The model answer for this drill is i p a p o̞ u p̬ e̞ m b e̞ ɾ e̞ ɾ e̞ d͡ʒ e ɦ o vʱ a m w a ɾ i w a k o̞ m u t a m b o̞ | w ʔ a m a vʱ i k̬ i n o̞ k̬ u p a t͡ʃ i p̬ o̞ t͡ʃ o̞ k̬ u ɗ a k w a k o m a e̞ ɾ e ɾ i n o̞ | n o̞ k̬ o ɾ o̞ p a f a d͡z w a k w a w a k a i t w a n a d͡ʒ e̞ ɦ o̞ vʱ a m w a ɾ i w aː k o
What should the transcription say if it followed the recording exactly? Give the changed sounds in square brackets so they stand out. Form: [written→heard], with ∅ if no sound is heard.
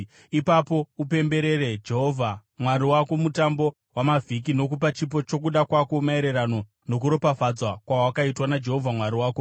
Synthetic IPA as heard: i p a p o̞ u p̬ e̞ m b e̞ ɾ e̞ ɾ e̞ d͡ʒ e ɦ o vʱ a m w a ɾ i w a k o̞ m u t a m b o̞ | w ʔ a m a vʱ i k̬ i n o̞ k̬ u p a t͡ʃ i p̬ o̞ t͡ʃ o̞ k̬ u ɗ a k w a k o m a e̞ ɾ e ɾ [i→a] n o̞ | n o̞ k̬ [o→u] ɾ o̞ p a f a d͡z w a k w a w a k a i t w a n a d͡ʒ e̞ ɦ o̞ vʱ a m w a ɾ i w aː k o